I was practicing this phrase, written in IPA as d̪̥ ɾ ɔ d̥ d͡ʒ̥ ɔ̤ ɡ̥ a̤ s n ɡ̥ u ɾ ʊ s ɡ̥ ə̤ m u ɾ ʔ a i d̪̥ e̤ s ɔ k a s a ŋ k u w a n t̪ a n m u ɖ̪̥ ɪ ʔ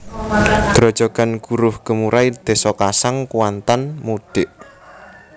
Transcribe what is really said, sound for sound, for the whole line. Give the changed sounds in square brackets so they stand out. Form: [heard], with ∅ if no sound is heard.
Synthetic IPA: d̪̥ ɾ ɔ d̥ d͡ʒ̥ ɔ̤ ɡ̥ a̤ [∅] n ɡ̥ u ɾ ʊ [h] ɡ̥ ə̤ m u ɾ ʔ a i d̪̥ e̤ s ɔ k a s a ŋ k u w a n t̪ a n m u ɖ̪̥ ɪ ʔ

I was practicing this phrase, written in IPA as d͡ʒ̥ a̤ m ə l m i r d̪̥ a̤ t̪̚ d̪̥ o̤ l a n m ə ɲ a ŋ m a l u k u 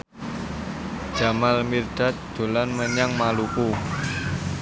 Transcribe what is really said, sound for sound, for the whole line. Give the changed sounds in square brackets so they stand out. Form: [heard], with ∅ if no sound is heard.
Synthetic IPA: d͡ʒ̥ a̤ m [a] l m i r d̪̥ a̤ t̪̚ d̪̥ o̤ l a n m ə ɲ a ŋ m a l u k u

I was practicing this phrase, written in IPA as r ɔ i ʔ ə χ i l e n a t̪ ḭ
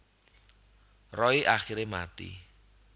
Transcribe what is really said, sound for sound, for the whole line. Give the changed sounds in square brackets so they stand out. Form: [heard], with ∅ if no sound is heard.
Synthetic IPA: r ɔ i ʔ [a] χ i [ɾ] e [m] a t̪ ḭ

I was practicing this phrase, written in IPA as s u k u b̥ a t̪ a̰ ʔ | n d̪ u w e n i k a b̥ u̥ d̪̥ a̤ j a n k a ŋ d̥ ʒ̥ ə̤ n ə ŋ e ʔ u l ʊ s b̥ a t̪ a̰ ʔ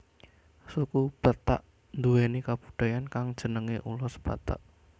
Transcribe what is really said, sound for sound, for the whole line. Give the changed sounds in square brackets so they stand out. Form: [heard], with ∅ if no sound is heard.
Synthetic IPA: s u k u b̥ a t̪ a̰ ʔ | n d̪ u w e n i k a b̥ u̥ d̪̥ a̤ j a n k a ŋ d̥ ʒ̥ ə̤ n ə ŋ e ʔ u l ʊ s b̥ a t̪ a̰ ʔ

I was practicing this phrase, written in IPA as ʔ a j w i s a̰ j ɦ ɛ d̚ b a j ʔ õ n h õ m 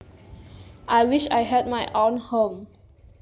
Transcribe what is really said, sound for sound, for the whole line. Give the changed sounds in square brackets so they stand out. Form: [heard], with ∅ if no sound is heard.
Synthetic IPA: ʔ a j w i [ʃ] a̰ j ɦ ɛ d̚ [m] a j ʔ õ n h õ m

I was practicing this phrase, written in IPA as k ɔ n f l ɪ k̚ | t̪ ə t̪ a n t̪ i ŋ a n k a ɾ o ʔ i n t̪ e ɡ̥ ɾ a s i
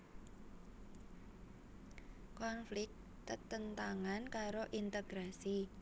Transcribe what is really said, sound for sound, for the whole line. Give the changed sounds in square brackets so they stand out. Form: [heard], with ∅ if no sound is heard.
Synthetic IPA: k ɔ n f l ɪ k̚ | t̪ ə t̪ [ə] n t̪ [a] ŋ a n k a ɾ o ʔ i n t̪ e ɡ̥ ɾ a s i

